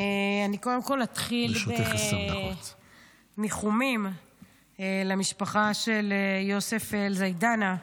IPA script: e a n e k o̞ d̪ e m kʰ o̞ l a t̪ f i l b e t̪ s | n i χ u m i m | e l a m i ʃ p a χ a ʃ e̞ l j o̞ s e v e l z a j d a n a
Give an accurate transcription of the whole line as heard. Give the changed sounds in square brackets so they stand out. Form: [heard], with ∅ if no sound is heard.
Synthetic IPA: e a n [i] k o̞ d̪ e m [k] o̞ l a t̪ [χ] i l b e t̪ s | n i χ u m i m | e l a m i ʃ p a χ a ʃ e̞ l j o̞ s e [f] e l z a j d a n a